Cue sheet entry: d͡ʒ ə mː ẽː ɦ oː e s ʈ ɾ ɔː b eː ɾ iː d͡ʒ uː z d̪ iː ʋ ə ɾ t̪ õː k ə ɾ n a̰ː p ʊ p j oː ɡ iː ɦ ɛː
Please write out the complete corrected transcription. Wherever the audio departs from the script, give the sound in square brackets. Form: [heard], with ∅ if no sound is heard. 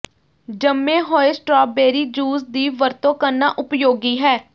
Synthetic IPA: d͡ʒ ə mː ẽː ɦ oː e s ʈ ɾ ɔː b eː ɾ iː d͡ʒ uː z d̪ iː ʋ ə ɾ t̪ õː k ə ɾ n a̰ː [ʔ] ʊ p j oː ɡ iː ɦ ɛː

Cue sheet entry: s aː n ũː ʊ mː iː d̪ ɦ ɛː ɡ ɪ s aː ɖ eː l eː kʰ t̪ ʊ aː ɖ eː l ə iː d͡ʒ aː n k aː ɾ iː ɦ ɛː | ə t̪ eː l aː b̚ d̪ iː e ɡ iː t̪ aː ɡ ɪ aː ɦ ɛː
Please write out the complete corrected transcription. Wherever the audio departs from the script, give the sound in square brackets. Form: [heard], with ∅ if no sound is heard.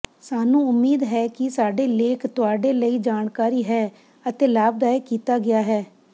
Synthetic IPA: s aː n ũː ʊ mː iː d̪ ɦ ɛː [k] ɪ s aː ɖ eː l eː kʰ t̪ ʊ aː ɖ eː l ə iː d͡ʒ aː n k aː ɾ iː ɦ ɛː | ə t̪ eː l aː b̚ d̪ [aː] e [k] iː t̪ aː ɡ ɪ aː ɦ ɛː

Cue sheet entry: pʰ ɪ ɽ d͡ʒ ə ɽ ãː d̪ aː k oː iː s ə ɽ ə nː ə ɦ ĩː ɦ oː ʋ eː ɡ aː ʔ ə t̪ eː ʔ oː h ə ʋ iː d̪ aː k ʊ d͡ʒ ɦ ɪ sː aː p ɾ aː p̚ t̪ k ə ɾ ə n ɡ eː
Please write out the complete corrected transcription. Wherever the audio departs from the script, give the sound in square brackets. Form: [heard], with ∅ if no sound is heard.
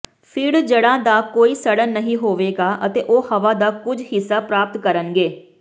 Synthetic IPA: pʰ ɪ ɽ d͡ʒ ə ɽ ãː d̪ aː k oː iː s ə ɽ ə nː ə ɦ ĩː ɦ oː ʋ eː ɡ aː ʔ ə t̪ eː ʔ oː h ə ʋ [aː] d̪ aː k ʊ d͡ʒ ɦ ɪ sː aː p ɾ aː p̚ t̪ k ə ɾ ə n ɡ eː

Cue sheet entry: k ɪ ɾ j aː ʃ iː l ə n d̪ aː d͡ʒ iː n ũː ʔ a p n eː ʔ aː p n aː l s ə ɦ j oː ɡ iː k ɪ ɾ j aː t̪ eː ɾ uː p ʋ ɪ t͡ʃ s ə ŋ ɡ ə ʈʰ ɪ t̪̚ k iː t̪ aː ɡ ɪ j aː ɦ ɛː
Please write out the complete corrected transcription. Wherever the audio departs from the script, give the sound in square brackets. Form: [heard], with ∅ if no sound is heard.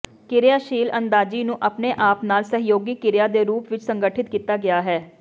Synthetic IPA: k ɪ ɾ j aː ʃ iː l ə n d̪ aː d͡ʒ iː n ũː ʔ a p n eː ʔ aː p n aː l s ə ɦ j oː ɡ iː k ɪ ɾ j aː [d̪] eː ɾ uː p ʋ ɪ t͡ʃ s ə ŋ ɡ ə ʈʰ ɪ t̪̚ k iː t̪ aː ɡ ɪ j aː ɦ ɛː

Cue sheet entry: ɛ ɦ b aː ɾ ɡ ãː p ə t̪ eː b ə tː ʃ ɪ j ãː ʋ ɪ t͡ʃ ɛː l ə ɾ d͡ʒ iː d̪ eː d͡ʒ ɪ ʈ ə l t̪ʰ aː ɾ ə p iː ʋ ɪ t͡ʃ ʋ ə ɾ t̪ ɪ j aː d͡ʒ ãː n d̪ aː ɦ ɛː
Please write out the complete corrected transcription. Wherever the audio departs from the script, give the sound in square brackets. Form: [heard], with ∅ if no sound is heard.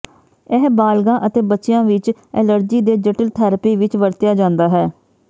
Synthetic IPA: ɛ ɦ b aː [l] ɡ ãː [ʔ] ə t̪ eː b ə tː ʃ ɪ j ãː ʋ ɪ t͡ʃ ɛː l ə ɾ d͡ʒ iː d̪ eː d͡ʒ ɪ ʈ ə l t̪ʰ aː ɾ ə p iː ʋ ɪ t͡ʃ ʋ ə ɾ t̪ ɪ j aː d͡ʒ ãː n d̪ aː ɦ ɛː

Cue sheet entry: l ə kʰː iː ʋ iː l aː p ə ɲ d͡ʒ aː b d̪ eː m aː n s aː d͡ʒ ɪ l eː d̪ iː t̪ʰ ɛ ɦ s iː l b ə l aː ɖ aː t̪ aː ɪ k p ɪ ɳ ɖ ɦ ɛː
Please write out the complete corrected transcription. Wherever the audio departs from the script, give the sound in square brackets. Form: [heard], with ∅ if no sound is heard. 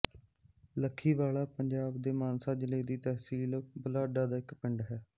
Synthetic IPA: l ə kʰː iː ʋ [aː] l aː p ə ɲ d͡ʒ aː b d̪ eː m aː n s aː d͡ʒ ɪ l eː d̪ iː [t̪] ɛ ɦ s iː l b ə l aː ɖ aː [d̪] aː ɪ k p ɪ ɳ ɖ ɦ ɛː

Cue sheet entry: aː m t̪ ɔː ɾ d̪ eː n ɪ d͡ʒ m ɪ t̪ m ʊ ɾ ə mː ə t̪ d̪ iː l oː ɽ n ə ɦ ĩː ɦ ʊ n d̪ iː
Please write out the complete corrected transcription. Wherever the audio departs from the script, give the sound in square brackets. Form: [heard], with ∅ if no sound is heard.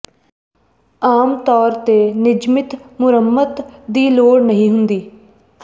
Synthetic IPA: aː m t̪ ɔː ɾ [t̪] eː n ɪ d͡ʒ m ɪ t̪ m ʊ ɾ ə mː ə t̪ d̪ iː l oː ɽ n ə ɦ ĩː ɦ ʊ n d̪ iː

